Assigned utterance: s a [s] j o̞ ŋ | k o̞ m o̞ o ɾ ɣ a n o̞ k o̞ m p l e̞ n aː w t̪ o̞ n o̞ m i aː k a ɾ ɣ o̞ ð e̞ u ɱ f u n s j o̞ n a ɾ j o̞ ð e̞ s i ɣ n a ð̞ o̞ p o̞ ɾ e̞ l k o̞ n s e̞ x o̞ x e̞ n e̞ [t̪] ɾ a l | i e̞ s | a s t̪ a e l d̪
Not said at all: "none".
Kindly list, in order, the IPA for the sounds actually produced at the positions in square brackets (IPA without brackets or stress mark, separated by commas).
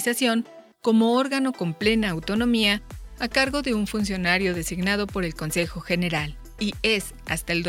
s, none